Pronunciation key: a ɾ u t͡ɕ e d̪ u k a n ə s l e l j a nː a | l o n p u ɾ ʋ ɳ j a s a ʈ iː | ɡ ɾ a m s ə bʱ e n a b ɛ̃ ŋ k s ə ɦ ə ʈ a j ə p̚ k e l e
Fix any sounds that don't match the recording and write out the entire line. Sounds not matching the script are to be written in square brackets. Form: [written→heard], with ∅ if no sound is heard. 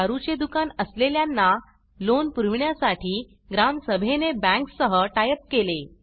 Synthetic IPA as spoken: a ɾ u t͡ɕ e d̪ u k a n ə s l e l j a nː a | l o n p u ɾ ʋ ɳ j a s a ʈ iː | ɡ ɾ a m s ə bʱ e n [a→e] b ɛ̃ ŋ k s ə ɦ ə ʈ a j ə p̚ k e l e